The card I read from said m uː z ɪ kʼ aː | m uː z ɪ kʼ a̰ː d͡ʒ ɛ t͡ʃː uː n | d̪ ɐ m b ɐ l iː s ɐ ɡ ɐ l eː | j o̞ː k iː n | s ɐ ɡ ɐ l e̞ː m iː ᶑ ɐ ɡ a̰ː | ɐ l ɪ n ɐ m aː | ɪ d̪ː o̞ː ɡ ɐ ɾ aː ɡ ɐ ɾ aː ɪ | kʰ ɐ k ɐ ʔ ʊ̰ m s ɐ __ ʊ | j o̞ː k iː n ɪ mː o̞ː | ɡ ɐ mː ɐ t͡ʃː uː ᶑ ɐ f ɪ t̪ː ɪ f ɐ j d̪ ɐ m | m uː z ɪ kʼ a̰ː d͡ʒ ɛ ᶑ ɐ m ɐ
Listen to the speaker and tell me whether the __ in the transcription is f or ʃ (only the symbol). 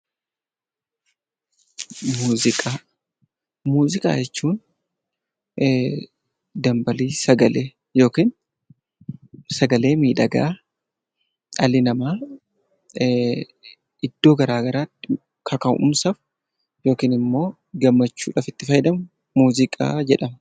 f